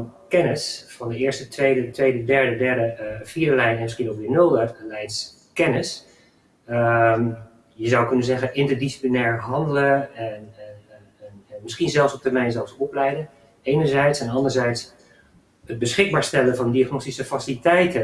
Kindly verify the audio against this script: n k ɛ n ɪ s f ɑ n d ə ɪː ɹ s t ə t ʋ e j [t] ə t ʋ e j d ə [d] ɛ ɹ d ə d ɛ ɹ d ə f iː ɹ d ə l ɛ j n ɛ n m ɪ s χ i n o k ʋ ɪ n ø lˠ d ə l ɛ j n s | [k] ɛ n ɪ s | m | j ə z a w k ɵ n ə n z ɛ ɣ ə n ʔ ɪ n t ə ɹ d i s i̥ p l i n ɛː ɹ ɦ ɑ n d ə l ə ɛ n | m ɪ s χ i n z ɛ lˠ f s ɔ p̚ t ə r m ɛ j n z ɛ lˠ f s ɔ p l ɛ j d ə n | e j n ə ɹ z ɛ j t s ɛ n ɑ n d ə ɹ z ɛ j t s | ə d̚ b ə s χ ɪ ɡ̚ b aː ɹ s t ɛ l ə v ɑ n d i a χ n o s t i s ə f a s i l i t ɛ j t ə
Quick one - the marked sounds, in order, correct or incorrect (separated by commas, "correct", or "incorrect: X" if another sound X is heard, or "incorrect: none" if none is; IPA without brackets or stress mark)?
incorrect: d, correct, correct